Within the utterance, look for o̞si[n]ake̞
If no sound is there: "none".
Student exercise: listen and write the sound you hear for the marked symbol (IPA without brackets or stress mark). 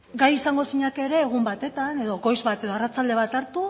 ɲ